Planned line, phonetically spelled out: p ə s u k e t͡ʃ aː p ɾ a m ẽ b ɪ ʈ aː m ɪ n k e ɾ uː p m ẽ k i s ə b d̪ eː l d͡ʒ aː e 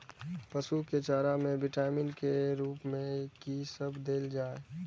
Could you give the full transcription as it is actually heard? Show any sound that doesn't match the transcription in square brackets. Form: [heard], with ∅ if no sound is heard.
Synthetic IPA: p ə s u k e t͡ʃ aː [∅] ɾ a m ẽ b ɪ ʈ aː m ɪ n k e ɾ uː p m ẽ k i s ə b d̪ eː l d͡ʒ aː e